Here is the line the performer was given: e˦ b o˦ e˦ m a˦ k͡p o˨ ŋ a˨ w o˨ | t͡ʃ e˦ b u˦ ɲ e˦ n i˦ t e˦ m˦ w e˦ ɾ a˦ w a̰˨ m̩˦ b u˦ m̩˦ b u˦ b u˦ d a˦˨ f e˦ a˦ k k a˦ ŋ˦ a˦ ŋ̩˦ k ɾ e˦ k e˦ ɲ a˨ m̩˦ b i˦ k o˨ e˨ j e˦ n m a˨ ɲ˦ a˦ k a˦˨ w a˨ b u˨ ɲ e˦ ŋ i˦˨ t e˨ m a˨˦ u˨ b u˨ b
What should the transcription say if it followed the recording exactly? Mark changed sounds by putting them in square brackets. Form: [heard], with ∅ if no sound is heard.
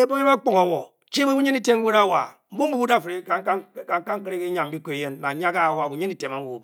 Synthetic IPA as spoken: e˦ b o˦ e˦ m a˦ k͡p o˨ ŋ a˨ w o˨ | t͡ʃ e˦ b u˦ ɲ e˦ n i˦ t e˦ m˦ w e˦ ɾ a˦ w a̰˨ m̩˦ b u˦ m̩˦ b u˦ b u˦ d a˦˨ f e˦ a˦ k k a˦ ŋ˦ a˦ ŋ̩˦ k ɾ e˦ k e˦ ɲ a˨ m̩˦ b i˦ k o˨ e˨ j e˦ n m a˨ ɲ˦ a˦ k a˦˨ w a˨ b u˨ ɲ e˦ [n] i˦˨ t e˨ m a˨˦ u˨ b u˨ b